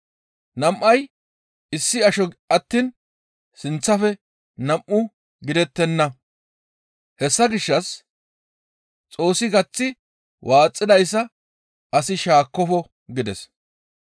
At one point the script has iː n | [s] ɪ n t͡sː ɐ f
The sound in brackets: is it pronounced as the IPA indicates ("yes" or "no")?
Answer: yes